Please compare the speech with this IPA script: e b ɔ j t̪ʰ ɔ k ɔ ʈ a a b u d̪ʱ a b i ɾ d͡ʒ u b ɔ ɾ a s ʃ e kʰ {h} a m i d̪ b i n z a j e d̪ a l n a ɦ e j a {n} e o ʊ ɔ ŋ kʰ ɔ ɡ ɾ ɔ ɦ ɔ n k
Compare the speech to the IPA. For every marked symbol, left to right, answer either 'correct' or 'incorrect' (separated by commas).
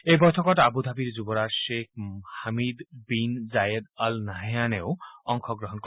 correct, correct